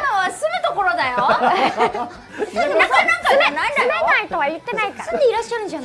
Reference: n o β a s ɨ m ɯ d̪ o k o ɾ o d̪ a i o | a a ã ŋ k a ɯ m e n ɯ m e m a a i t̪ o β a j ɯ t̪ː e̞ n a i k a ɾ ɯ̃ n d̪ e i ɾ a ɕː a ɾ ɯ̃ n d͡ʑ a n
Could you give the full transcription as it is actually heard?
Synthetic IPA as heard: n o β a s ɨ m ɯ t̪ o k o ɾ o d̪ a j o | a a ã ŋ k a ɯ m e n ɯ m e n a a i t̪ o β a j ɯ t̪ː e̞ n a i k a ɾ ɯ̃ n d̪ e i ɾ a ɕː a ɾ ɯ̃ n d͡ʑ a n